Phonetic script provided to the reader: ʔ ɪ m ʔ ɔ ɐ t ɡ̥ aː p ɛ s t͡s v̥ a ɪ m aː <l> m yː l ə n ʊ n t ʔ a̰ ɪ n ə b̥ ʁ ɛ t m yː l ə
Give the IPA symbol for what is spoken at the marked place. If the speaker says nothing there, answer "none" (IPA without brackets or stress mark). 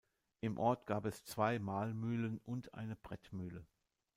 l